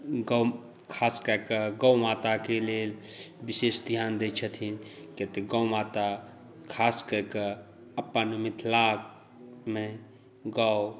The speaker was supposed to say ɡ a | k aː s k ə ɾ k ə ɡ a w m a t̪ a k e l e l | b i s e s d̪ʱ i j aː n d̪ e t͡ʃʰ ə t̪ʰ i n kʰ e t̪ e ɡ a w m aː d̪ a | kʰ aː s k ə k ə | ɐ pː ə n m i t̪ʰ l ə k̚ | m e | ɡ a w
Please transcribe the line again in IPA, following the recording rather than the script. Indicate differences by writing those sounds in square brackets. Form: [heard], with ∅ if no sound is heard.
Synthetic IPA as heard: ɡ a | [kʰ] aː s k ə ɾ k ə ɡ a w m a t̪ a k e l e l | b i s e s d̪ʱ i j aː n d̪ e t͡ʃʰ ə t̪ʰ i n [k] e t̪ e ɡ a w m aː [t̪] a | kʰ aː s k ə k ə | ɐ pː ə n m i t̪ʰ l [a] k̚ | m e | ɡ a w